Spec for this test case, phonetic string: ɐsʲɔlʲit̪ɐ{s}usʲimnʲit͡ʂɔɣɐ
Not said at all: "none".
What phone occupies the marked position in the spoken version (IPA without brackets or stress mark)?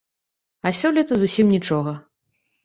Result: z